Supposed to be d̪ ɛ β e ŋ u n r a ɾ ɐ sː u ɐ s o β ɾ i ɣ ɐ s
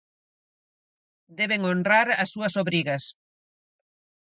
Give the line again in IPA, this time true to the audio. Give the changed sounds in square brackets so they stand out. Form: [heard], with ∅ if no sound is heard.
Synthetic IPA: d̪ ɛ β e ŋ [o] n r a ɾ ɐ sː u ɐ s o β ɾ i ɣ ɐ s